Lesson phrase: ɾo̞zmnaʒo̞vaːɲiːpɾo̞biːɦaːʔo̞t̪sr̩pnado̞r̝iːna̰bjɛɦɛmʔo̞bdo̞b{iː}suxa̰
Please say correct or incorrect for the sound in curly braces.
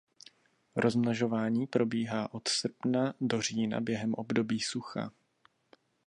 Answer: correct